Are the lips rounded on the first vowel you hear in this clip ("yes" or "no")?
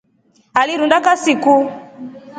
no